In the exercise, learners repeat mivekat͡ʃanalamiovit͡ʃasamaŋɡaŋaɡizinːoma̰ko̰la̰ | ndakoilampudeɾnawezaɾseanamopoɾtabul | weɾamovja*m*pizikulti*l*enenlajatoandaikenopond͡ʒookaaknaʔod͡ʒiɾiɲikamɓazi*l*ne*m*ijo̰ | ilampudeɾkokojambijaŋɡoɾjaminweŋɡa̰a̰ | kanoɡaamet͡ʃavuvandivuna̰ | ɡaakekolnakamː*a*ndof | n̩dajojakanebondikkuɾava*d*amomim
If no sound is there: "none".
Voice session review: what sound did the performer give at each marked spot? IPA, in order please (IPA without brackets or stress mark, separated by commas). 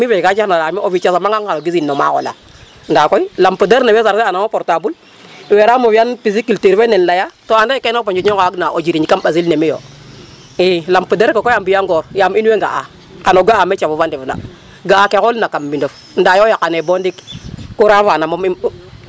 n, ɾ, l, m, i, n